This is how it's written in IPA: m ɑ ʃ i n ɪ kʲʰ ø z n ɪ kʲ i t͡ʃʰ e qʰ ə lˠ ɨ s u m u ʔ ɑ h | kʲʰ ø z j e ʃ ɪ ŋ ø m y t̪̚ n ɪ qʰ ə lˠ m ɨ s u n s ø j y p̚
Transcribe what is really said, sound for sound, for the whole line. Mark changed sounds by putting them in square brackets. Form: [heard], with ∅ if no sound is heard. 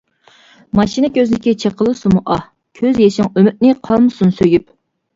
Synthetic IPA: m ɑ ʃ i n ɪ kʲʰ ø z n ɪ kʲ i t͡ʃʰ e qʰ ə lˠ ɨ s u m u ʔ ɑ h | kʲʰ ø z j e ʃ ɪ ŋ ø m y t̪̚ n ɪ qʰ [ɑ] lˠ m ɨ s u n s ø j y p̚

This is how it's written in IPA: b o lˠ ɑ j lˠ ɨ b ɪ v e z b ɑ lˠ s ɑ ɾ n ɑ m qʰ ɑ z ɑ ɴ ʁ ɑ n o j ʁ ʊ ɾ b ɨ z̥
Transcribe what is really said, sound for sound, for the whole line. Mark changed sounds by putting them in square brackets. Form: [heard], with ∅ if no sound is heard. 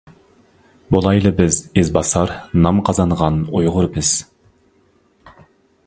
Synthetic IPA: b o lˠ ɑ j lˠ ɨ b ɪ [z] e z b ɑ [∅] s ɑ ɾ n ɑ m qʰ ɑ z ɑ ɴ ʁ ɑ n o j ʁ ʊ ɾ b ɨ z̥

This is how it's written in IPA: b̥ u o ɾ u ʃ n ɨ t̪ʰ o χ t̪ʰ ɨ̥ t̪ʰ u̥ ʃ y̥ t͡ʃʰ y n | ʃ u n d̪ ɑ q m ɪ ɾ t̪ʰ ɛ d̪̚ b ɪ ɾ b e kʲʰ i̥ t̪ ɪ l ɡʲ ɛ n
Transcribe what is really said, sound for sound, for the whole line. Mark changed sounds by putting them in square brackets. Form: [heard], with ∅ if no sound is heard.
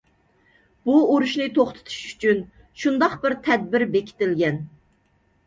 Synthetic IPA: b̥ u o ɾ u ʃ n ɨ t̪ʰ o χ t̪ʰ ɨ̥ t̪ʰ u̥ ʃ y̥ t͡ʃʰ y n | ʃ u n d̪ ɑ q [b] ɪ ɾ t̪ʰ ɛ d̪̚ b ɪ ɾ b e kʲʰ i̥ t̪ ɪ l ɡʲ ɛ n

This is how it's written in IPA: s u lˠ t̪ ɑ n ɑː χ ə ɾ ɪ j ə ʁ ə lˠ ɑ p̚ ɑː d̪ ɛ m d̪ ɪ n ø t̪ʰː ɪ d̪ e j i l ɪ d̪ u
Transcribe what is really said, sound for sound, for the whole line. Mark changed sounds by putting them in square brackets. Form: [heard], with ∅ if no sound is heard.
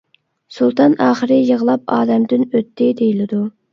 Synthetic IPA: s u lˠ t̪ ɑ n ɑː χ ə ɾ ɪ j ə ʁ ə lˠ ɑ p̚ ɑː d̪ ɛ m d̪ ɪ n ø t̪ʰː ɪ d̪ e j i l ɪ d̪ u

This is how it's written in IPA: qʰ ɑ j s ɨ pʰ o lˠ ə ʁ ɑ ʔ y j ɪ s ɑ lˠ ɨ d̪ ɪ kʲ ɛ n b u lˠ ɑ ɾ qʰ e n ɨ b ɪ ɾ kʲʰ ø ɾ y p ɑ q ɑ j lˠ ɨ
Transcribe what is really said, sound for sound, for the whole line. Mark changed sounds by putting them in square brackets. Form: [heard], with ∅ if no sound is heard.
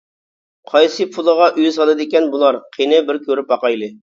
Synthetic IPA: qʰ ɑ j s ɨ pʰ [u] lˠ ə ʁ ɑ ʔ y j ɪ s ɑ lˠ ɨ d̪ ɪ kʲ ɛ n b u lˠ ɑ ɾ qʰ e n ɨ b ɪ ɾ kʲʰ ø ɾ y p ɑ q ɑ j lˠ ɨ

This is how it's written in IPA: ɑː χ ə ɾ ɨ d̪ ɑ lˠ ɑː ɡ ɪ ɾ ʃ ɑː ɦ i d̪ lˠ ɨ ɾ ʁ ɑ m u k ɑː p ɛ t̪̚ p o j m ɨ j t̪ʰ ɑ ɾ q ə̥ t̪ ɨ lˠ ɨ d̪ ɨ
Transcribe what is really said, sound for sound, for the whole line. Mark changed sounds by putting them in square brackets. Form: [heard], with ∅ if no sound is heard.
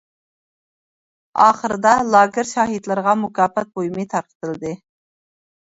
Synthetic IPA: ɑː χ ə ɾ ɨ d̪ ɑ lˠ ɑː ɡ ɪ ɾ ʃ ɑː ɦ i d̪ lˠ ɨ ɾ ʁ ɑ m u k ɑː p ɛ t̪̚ [b] o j m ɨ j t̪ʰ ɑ ɾ q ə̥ t̪ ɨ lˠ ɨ d̪ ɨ

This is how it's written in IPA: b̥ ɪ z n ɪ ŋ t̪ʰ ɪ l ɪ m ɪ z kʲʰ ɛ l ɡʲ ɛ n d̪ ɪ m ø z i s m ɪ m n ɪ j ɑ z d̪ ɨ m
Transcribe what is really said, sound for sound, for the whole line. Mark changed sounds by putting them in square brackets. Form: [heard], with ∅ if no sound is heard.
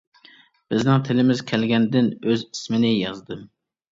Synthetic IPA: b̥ ɪ z n ɪ ŋ t̪ʰ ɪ l ɪ m ɪ z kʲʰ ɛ l ɡʲ ɛ n d̪ ɪ [n] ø z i s m ɪ [∅] n ɪ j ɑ z d̪ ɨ m

